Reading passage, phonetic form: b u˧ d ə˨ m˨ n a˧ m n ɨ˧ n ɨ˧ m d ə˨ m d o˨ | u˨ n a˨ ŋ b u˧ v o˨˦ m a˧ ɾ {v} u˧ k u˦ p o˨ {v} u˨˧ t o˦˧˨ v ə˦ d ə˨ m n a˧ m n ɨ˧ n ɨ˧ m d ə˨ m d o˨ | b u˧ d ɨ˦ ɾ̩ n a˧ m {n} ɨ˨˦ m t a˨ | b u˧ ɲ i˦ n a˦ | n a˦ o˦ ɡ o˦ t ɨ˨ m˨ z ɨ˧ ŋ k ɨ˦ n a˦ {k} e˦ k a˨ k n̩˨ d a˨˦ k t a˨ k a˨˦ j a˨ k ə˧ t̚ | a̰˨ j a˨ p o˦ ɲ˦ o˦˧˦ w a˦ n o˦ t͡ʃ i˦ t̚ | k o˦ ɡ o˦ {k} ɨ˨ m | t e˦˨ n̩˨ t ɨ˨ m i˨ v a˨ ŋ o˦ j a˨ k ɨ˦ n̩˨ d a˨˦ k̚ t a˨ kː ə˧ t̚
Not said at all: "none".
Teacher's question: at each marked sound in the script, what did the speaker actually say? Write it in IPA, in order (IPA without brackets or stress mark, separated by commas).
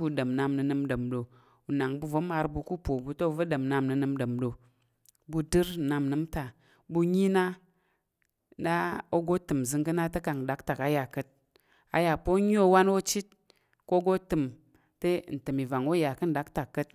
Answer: b, b, n, t, t